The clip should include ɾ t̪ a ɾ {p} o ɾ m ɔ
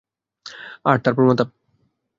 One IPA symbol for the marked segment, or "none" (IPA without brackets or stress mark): p